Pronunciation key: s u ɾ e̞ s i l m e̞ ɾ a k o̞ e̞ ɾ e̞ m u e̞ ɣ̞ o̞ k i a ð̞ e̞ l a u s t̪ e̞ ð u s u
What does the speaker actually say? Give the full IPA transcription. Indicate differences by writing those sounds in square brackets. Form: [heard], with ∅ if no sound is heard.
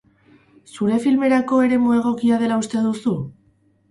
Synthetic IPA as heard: s u ɾ e̞ [f] i l m e̞ ɾ a k o̞ e̞ ɾ e̞ m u e̞ ɣ̞ o̞ k i a ð̞ e̞ l a u s t̪ e̞ ð u s u